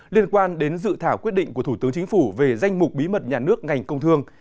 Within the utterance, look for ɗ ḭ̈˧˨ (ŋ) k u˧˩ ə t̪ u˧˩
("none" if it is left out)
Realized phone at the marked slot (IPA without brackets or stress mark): ŋ